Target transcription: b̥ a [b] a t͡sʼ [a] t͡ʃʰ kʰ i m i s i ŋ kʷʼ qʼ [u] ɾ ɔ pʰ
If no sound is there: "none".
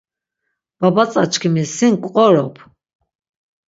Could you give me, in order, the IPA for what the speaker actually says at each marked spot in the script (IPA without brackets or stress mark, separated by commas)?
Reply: b, a, ɔ